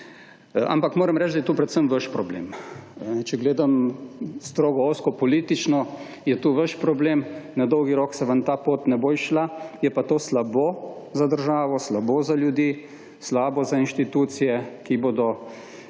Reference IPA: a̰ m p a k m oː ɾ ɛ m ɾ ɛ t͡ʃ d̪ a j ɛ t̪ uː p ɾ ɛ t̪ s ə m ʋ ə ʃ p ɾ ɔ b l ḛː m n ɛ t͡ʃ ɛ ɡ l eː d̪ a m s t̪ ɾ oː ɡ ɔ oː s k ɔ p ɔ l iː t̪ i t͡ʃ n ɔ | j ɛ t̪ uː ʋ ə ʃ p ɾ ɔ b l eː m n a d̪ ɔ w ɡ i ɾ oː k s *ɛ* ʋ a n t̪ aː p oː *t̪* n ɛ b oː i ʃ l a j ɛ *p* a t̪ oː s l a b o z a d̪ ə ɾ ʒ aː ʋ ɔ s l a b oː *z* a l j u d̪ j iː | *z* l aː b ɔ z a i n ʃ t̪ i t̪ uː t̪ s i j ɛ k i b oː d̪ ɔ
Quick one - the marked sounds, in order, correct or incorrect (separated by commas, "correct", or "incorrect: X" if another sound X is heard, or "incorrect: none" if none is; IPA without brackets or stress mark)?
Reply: correct, correct, correct, correct, incorrect: s